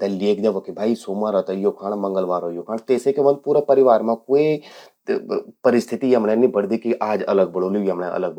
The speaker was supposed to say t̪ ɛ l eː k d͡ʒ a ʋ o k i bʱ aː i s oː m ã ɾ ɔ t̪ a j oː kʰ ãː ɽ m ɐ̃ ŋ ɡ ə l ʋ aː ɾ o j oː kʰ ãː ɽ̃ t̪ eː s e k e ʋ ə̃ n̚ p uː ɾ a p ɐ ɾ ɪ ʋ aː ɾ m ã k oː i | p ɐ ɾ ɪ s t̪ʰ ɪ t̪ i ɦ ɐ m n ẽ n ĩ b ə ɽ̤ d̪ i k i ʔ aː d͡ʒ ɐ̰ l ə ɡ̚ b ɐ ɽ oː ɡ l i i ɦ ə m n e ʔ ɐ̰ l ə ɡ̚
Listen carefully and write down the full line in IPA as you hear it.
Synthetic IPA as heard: t̪ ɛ l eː k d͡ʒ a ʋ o k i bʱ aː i s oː m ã ɾ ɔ t̪ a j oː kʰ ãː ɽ m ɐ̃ ŋ ɡ ə l ʋ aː ɾ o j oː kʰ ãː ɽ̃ t̪ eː s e k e ʋ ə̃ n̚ p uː ɾ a p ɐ ɾ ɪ ʋ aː ɾ m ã k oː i | p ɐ ɾ ɪ s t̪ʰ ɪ t̪ i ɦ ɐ m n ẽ n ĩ b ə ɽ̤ d̪ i k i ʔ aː d͡ʒ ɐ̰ l ə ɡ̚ b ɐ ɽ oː l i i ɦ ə m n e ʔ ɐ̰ l ə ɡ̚